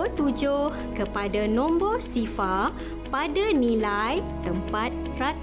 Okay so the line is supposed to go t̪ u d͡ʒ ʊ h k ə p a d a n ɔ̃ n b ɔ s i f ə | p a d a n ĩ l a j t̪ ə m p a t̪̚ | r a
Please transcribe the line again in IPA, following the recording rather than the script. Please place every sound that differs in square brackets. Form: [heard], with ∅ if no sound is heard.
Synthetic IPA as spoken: t̪ u d͡ʒ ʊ h k ə p a d a n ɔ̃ [m] b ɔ s i f [a] | p a d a n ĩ l a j t̪ ə m p a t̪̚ | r a